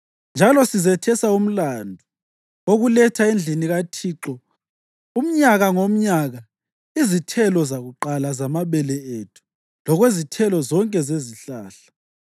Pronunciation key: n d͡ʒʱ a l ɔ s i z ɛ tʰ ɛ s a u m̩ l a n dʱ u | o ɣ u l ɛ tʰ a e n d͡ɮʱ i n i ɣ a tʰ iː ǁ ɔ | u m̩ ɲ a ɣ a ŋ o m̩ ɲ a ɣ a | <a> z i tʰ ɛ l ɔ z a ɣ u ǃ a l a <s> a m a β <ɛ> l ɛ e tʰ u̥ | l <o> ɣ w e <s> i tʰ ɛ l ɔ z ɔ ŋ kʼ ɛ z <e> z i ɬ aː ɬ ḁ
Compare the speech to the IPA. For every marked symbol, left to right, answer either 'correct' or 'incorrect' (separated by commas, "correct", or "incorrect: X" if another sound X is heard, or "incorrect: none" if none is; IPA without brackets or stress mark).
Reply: incorrect: i, incorrect: z, correct, incorrect: ɔ, incorrect: z, correct